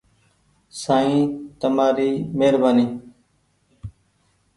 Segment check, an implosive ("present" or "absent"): absent